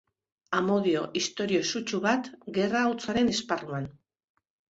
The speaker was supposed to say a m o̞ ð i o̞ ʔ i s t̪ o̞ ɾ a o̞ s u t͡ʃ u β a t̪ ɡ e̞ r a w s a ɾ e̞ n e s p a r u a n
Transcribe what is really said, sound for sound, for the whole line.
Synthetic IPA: a m o̞ ð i o̞ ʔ i s t̪ o̞ ɾ i o̞ s u t͡ʃ u β a t̪ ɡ e̞ r a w t͡s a ɾ e̞ n e s p a r u a n